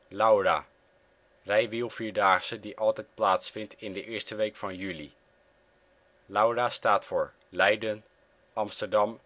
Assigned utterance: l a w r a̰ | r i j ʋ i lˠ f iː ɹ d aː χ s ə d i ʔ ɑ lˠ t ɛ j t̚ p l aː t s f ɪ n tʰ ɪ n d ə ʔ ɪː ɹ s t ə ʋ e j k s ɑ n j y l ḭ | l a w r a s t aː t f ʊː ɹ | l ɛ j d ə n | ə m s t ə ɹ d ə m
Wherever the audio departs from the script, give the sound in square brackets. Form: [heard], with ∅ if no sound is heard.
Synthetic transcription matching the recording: l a w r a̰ | r [ɛ] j ʋ i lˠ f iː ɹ d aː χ s ə d i ʔ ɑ lˠ t ɛ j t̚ p l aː t s f ɪ n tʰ ɪ n d ə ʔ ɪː ɹ s t ə ʋ e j k [f] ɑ n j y l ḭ | l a w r a s t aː t f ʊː ɹ | l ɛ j d ə n | [ɑ] m s t ə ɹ d [ɑ] m